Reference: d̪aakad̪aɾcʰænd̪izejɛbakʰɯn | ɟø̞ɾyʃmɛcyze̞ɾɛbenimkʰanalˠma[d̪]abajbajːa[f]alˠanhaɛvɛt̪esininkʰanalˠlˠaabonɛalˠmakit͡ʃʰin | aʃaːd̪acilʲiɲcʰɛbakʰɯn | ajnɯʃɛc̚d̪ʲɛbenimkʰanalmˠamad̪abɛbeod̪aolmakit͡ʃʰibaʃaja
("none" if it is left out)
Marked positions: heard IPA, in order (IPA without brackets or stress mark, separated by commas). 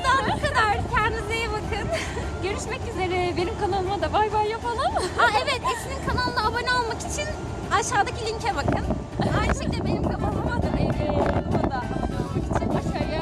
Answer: d̪, f